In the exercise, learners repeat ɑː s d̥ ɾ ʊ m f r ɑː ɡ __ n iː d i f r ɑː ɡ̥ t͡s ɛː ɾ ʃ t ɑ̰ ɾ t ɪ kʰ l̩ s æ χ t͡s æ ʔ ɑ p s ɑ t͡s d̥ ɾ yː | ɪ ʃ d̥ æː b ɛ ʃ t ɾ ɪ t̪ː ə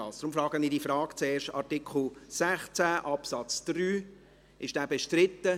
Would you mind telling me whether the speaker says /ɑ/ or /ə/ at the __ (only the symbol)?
ə